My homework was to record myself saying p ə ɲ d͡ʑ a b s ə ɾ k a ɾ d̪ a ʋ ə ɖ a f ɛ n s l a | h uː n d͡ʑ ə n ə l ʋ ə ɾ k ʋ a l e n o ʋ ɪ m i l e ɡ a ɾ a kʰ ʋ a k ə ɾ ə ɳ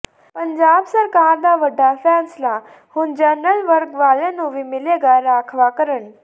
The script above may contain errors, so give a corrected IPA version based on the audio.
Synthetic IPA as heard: p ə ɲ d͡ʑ a b s ə ɾ k a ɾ d̪ a ʋ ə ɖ a f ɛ n s l a | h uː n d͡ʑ ə n ə l ʋ ə ɾ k ʋ a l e n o ʋ i m i l e ɡ a ɾ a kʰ ʋ a k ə ɾ ə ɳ